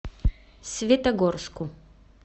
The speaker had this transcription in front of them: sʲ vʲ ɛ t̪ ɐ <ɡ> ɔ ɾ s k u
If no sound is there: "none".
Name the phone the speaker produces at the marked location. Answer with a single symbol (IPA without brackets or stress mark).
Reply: ɡ